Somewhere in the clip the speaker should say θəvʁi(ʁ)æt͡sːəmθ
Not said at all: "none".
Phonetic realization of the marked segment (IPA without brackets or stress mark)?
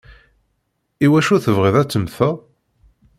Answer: ð